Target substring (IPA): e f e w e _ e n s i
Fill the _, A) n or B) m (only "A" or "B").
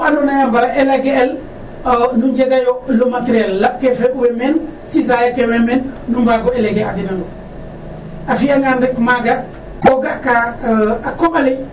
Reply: B